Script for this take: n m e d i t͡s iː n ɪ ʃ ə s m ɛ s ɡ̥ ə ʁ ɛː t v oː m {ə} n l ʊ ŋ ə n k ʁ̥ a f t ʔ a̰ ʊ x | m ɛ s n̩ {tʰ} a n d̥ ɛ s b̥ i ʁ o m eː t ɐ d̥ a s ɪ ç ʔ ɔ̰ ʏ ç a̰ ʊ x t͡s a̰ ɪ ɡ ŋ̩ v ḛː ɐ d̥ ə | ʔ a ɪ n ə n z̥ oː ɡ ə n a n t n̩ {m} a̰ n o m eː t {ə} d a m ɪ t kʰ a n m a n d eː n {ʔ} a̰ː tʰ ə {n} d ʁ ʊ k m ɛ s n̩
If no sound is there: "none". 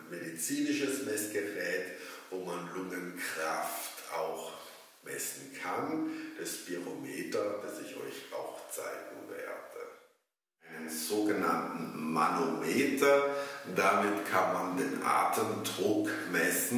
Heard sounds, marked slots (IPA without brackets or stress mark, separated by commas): a, kʰ, m, ɐ, ʔ, m